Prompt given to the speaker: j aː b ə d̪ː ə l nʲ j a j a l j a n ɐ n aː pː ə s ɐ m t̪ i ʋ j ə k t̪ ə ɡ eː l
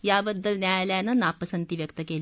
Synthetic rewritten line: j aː b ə d̪ː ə l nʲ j a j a l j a n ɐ n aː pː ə s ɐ n t̪ i ʋ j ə k t̪ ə k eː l